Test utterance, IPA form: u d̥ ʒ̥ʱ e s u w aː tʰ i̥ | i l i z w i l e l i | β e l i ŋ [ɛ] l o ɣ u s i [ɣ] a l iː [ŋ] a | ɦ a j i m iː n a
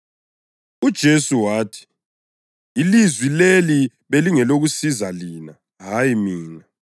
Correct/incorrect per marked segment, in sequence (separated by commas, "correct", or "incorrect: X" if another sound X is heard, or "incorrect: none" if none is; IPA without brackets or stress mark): correct, incorrect: z, incorrect: n